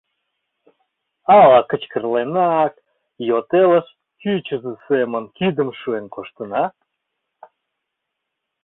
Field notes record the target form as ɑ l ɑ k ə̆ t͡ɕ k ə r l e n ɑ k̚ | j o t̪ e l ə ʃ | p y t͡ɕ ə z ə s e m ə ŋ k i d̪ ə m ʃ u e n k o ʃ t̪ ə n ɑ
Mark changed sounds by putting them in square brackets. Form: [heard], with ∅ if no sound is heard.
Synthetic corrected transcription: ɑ l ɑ k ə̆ t͡ɕ k ə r l e n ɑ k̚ | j o t̪ e l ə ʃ | [k] y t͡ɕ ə z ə s e m ə [n] k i d̪ ə m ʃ u e n k o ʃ t̪ ə n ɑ